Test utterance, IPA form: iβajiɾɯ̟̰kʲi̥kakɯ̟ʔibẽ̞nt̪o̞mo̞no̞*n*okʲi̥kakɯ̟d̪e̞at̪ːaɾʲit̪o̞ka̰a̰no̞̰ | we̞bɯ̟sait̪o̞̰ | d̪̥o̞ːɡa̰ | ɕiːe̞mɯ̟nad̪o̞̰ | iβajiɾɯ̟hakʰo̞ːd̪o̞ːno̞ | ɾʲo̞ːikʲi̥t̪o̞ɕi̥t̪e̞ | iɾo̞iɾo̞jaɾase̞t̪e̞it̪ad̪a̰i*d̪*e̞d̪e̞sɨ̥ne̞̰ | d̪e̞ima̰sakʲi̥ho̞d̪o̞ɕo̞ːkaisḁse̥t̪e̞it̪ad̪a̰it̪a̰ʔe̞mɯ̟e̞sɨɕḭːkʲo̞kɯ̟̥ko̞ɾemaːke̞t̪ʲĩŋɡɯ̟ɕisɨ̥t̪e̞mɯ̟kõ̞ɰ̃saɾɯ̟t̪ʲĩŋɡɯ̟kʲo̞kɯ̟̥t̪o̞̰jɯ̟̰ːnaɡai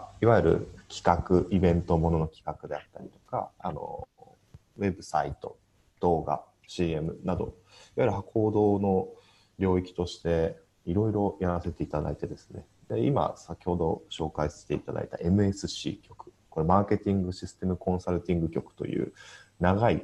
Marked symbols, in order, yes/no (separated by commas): yes, no